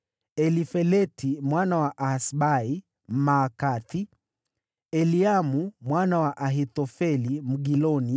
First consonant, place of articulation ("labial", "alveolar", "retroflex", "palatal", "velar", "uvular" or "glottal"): alveolar